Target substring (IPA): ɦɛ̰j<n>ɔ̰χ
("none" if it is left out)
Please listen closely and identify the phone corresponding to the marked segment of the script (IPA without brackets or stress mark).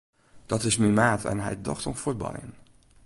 d